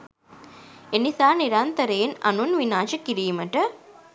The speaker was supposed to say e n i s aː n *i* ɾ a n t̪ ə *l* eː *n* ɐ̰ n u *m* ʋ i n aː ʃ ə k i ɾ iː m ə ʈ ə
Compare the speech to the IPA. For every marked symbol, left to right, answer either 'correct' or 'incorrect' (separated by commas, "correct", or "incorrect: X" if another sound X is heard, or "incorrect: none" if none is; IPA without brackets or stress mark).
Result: correct, incorrect: ɾ, correct, incorrect: n